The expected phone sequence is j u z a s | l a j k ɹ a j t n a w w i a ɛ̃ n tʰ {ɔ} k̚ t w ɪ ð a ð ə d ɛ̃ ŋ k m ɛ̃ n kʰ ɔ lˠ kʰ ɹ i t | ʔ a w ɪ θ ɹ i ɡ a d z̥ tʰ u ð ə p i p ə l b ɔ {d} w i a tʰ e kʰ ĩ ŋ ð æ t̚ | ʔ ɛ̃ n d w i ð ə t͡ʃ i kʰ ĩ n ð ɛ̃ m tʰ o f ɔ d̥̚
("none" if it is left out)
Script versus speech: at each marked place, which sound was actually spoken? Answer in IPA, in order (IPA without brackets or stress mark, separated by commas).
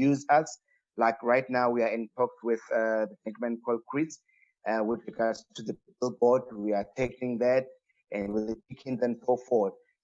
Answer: ɔ, d